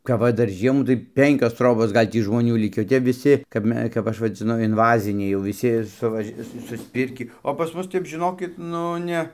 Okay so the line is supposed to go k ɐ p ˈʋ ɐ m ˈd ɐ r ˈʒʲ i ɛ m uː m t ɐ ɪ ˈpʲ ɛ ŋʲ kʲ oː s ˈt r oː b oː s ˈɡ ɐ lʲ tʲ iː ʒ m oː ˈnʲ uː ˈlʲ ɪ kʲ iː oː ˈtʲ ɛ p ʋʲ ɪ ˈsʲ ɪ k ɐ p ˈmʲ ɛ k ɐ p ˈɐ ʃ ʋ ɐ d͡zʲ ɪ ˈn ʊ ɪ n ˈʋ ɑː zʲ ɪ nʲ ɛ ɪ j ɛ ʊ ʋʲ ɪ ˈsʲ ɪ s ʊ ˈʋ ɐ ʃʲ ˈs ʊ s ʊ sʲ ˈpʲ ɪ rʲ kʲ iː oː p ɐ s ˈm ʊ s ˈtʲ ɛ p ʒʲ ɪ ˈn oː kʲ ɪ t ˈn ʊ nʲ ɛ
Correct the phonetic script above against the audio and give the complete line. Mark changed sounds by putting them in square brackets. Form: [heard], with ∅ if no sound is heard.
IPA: k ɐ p ˈʋ ɐ [∅] ˈd ɐ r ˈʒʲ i ɛ m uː [∅] t ɐ ɪ ˈpʲ ɛ ŋʲ kʲ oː s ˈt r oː b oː s ˈɡ ɐ lʲ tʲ iː ʒ m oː ˈnʲ uː ˈlʲ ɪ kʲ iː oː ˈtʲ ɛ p ʋʲ ɪ ˈsʲ ɪ k ɐ p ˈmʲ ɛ k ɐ p ˈɐ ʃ ʋ ɐ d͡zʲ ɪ ˈn ʊ ɪ n ˈʋ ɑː zʲ ɪ nʲ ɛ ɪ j ɛ ʊ ʋʲ ɪ ˈsʲ ɪ s ʊ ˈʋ ɐ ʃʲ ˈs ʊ s ʊ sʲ ˈpʲ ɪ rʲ kʲ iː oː p ɐ s ˈm ʊ s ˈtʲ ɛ p ʒʲ ɪ ˈn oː kʲ ɪ t ˈn ʊ nʲ ɛ